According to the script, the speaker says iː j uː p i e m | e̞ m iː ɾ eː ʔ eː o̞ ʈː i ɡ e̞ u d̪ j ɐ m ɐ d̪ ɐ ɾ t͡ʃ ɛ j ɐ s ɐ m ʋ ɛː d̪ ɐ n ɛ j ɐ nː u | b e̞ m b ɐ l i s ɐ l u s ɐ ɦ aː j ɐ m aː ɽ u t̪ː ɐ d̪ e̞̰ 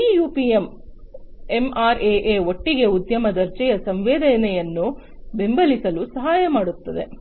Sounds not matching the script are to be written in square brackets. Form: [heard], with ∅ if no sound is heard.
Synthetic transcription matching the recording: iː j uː p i e m | e̞ m [aː] ɾ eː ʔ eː o̞ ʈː i ɡ e̞ u d̪ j ɐ m ɐ d̪ ɐ ɾ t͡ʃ ɛ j ɐ s ɐ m ʋ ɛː d̪ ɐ n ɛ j ɐ nː u | b e̞ m b ɐ l i s ɐ l u s ɐ ɦ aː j ɐ m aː ɽ u t̪ː ɐ d̪ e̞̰